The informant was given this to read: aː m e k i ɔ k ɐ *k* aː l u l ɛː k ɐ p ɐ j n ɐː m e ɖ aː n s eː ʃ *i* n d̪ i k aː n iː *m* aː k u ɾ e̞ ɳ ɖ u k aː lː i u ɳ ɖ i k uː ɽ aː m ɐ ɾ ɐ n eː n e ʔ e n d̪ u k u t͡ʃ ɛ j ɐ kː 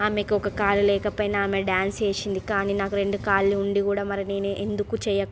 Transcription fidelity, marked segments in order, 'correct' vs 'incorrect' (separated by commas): correct, correct, incorrect